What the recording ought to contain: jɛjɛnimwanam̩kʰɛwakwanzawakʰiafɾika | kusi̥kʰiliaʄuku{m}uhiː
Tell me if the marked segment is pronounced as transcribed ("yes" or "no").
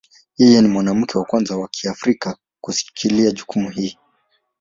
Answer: yes